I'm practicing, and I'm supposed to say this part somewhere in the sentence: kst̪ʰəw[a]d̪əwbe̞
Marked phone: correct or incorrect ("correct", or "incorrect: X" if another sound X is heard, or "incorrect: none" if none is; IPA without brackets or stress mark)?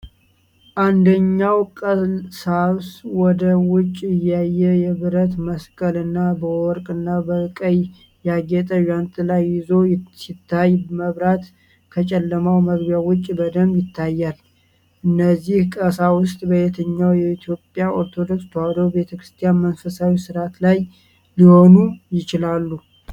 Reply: correct